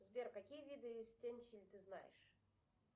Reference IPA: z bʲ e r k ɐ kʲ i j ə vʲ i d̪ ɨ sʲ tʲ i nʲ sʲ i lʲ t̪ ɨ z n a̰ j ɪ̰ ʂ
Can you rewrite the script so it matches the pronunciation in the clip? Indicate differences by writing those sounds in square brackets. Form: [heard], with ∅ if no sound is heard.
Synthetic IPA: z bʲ e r k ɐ kʲ i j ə vʲ i d̪ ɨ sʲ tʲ [e] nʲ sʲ i lʲ t̪ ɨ z n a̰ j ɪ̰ ʂ